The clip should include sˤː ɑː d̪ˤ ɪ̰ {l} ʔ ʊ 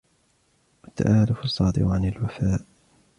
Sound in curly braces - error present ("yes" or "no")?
yes